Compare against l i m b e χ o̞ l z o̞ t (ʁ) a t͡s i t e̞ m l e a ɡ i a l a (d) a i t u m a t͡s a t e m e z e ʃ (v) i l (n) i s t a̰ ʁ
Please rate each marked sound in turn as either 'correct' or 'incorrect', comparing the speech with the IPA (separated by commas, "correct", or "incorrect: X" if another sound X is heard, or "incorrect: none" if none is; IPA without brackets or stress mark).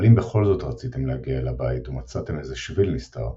correct, incorrect: b, correct, correct